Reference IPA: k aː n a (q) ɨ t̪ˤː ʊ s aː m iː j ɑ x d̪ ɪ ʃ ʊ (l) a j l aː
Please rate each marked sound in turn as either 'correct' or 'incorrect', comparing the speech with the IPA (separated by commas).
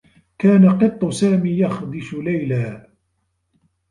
correct, correct